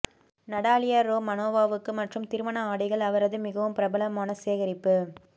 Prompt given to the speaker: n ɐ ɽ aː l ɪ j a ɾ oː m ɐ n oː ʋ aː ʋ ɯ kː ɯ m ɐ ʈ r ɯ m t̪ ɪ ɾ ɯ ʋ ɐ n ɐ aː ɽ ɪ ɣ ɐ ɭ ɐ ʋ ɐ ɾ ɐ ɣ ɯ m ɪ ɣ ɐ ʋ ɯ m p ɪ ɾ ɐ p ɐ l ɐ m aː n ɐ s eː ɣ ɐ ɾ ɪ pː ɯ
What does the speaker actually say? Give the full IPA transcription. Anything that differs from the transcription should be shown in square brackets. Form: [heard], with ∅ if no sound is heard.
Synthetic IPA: n ɐ ɽ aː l ɪ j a ɾ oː m ɐ n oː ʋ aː ʋ ɯ kː ɯ m ɐ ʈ r ɯ m t̪ ɪ ɾ ɯ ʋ ɐ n ɐ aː ɽ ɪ ɣ ɐ ɭ ɐ ʋ ɐ ɾ ɐ [ð] ɯ m ɪ ɣ ɐ ʋ ɯ m p ɪ ɾ ɐ [b] ɐ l ɐ m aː n ɐ s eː ɣ ɐ ɾ ɪ pː ɯ